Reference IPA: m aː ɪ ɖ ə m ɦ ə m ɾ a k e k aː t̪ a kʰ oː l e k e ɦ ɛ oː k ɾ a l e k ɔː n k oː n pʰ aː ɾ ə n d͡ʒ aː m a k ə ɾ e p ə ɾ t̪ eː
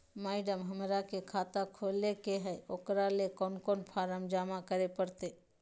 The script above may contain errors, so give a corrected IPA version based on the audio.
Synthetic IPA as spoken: m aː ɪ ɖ ə m ɦ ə m ɾ a k e kʰ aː t̪ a kʰ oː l e k e ɦ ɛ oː k ɾ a l e k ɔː n k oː n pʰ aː ɾ ə m d͡ʒ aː m a k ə ɾ e p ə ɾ t̪ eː

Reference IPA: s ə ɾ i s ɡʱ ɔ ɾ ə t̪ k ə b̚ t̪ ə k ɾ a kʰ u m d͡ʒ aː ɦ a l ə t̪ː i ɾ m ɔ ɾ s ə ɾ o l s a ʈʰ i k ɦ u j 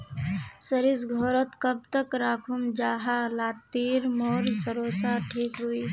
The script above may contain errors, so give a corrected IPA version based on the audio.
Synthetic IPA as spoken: s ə ɾ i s ɡʱ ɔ ɾ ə t̪ k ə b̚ t̪ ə k ɾ a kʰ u m d͡ʒ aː ɦ a l a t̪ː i ɾ m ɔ ɾ s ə ɾ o s a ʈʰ i k ɦ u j

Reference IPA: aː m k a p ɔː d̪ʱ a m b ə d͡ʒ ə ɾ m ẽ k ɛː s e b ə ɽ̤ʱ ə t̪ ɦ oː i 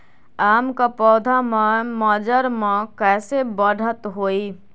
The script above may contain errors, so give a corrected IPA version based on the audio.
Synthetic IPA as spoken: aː m k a p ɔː d̪ʱ a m m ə d͡ʒ ə ɾ m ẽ k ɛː s e b ə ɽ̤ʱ ə t̪ ɦ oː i

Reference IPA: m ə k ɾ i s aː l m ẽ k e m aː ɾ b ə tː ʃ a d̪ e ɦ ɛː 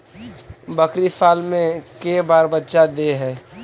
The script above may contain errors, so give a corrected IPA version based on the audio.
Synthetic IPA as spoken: b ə k ɾ i s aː l m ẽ k e b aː ɾ b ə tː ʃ a d̪ e ɦ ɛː

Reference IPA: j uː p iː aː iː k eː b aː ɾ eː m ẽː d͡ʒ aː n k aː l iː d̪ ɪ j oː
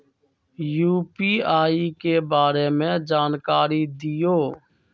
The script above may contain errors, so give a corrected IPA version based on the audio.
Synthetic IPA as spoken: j uː p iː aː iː k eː b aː ɾ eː m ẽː d͡ʒ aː n k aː ɾ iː d̪ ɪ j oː

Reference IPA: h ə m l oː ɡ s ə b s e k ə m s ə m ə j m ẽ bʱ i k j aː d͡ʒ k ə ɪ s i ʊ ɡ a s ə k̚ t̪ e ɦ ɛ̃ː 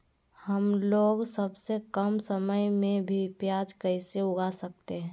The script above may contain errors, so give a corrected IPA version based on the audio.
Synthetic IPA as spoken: h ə m l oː ɡ s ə b s e k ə m s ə m ə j m ẽ bʱ i p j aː d͡ʒ k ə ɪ s e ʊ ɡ a s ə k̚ t̪ e ɦ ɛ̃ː

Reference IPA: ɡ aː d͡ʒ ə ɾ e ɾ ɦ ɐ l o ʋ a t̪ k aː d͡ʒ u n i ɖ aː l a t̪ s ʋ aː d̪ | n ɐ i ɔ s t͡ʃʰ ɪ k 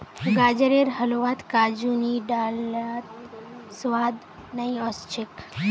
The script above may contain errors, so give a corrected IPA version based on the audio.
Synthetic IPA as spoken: ɡ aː d͡ʒ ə ɾ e ɾ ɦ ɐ l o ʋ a t̪ k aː d͡ʒ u n i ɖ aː l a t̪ s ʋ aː d̪ | n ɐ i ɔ s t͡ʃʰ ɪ k

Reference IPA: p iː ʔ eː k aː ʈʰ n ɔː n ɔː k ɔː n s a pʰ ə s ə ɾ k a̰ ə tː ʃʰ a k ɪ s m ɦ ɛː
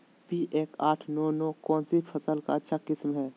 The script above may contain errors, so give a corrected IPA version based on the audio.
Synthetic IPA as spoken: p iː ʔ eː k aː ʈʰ n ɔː n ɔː k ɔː n s i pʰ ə s ə l k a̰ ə tː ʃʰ a k ɪ s m ɦ ɛː

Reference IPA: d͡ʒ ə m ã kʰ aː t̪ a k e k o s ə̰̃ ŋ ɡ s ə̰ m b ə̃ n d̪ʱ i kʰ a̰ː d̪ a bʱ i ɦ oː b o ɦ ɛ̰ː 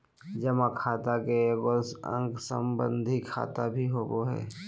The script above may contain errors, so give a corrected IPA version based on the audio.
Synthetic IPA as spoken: d͡ʒ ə m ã kʰ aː t̪ a k e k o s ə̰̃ ŋ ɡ s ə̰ m b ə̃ n d̪ʱ i kʰ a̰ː t̪ a bʱ i ɦ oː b o ɦ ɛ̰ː

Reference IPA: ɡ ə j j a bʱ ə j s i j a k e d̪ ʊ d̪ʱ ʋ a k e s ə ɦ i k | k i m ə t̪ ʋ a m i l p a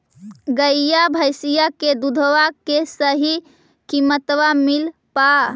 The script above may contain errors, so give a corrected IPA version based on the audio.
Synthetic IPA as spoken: ɡ ə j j a bʱ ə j s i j a k e d̪ u d̪ʱ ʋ a k e s ə ɦ i | k i m ə t̪ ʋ a m i l p a

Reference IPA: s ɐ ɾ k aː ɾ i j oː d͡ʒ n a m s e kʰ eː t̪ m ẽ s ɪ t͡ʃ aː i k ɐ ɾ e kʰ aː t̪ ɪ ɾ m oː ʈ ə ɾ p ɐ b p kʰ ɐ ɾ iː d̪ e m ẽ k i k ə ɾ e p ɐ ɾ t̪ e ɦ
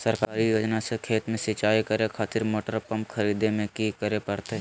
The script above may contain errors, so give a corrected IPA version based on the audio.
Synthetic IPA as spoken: s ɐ ɾ k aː ɾ i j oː d͡ʒ n a s e kʰ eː t̪ m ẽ s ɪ t͡ʃ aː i k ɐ ɾ e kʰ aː t̪ ɪ ɾ m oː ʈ ə ɾ p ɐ m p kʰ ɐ ɾ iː d̪ e m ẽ k i k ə ɾ e p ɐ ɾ t̪ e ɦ

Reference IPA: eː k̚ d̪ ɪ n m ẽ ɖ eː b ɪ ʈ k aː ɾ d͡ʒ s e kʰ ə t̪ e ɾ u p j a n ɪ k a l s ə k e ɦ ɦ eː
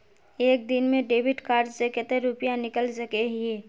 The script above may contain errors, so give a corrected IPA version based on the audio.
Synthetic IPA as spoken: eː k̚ d̪ ɪ n m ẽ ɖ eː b ɪ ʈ k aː ɾ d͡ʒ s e k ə t̪ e ɾ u p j a n ɪ k ə l s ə k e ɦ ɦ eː

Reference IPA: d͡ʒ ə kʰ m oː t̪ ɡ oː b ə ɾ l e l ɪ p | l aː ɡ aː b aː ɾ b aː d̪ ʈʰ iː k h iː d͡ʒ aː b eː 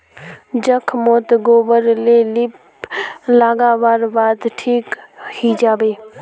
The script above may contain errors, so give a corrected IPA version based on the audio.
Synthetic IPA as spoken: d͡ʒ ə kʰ m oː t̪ ɡ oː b ə ɾ l e l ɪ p | l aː ɡ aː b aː ɾ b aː d̪ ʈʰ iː k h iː d͡ʒ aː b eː

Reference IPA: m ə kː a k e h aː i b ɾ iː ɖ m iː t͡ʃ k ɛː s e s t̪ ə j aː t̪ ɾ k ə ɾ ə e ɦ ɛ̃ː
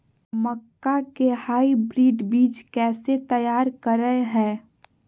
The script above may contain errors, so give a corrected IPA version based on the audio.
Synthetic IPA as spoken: m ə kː a k e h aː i b ɾ iː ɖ b iː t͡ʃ k ɛː s e t̪ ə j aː ɾ k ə ɾ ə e ɦ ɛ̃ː

